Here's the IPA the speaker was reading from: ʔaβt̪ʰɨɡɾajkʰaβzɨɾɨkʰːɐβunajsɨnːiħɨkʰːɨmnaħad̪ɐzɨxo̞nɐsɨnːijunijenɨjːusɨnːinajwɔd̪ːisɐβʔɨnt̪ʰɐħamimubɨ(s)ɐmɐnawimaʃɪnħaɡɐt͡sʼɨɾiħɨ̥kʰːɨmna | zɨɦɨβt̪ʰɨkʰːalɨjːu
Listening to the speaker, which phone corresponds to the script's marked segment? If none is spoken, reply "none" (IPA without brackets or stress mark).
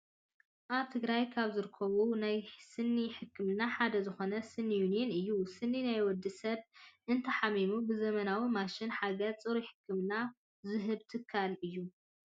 z